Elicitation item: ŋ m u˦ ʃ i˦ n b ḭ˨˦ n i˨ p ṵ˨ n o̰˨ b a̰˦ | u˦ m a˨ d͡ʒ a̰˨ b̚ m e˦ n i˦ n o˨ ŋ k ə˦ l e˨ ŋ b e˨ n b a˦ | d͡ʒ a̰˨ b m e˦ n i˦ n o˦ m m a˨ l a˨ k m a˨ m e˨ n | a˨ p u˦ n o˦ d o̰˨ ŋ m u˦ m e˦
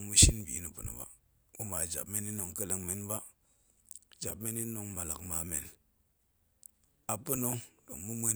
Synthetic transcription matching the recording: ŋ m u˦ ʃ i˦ n b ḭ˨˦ n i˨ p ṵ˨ n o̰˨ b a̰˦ | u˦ m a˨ d͡ʒ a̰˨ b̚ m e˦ n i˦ n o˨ ŋ k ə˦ l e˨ ŋ m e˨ n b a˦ | d͡ʒ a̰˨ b m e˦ n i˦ n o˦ ŋ m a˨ l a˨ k m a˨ m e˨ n | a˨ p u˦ n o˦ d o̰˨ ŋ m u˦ m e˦

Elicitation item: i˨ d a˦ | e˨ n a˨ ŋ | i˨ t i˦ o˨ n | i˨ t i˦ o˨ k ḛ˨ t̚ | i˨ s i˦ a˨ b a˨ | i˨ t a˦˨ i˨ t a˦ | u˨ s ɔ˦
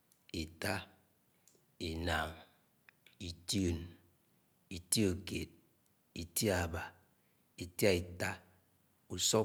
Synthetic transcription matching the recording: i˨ t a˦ | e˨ n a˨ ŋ | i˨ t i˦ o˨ n | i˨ t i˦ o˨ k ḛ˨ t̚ | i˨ t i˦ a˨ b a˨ | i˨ t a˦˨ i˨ t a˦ | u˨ s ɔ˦

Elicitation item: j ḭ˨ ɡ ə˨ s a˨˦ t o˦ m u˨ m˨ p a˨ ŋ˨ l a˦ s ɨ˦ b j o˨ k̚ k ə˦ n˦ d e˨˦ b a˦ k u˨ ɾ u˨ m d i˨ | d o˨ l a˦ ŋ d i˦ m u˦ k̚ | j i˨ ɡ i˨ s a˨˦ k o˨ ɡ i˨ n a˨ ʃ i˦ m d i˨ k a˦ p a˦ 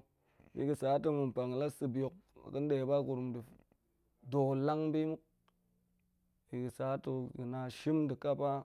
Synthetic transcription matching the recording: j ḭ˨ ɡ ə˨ s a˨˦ t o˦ m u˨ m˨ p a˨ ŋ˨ l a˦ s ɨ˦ b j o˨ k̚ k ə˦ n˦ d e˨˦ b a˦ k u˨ ɾ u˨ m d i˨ | d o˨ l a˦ ŋ b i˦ m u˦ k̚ | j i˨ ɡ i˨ s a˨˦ t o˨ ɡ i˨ n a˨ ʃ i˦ m d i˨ k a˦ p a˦

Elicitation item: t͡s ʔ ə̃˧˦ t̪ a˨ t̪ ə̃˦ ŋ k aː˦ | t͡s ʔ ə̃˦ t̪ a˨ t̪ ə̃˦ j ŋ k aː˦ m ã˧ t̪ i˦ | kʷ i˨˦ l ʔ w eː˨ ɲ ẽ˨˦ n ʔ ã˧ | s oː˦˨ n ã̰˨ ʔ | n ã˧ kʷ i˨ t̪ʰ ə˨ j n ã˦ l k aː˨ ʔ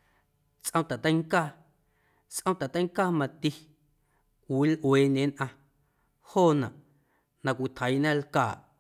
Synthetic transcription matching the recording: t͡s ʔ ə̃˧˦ t̪ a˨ t̪ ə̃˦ ŋ k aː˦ | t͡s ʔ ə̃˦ t̪ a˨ t̪ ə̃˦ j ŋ k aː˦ m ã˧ t̪ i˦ | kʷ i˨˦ l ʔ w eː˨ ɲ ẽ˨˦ n ʔ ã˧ | h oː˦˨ n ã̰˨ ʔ | n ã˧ kʷ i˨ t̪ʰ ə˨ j n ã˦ l k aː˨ ʔ

